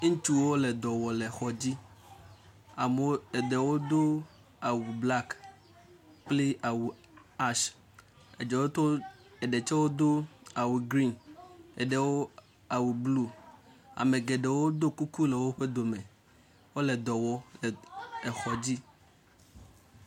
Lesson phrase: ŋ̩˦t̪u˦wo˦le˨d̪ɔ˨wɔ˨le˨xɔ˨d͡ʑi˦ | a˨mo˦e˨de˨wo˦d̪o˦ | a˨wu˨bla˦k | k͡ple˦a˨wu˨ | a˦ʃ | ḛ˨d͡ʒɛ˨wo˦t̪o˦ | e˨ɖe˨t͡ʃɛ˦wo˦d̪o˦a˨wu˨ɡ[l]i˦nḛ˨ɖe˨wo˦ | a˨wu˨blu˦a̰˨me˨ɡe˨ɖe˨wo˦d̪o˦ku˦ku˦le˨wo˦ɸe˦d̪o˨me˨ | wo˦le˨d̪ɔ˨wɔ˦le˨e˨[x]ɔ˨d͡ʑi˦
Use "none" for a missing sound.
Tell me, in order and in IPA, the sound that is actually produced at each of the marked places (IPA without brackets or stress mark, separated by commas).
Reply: ɾ, x